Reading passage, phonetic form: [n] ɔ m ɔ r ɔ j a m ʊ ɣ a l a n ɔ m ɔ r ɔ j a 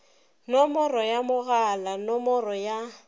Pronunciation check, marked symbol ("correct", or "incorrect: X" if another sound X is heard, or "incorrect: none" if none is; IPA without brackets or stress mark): correct